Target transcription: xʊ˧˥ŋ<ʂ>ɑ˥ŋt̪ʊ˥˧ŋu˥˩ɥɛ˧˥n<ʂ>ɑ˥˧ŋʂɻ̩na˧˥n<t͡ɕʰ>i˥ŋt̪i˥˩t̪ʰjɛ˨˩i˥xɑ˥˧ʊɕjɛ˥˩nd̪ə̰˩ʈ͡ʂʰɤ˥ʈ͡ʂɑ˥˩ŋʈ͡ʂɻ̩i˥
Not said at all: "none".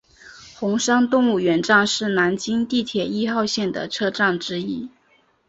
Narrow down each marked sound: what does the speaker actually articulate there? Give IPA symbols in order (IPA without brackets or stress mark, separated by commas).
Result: ʂ, ʈ͡ʂ, t͡ɕ